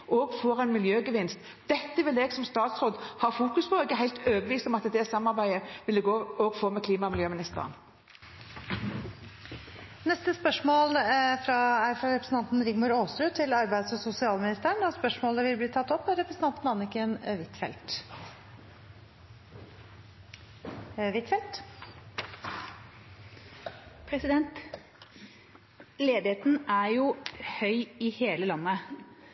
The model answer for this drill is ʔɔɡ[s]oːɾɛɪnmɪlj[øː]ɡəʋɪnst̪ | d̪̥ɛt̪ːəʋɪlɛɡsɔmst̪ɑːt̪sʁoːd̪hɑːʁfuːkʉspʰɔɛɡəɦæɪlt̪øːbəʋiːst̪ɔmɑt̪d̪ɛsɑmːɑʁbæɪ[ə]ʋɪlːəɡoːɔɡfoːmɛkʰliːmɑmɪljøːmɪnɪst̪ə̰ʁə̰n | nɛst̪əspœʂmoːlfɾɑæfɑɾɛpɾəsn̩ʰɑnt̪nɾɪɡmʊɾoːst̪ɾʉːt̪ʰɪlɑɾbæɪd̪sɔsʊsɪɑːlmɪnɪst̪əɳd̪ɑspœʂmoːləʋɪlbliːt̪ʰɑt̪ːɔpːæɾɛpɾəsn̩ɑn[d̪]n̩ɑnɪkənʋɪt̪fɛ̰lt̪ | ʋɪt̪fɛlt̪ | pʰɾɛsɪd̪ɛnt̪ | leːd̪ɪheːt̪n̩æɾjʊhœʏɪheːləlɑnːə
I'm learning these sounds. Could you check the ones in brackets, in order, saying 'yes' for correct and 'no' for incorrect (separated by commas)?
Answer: no, yes, yes, no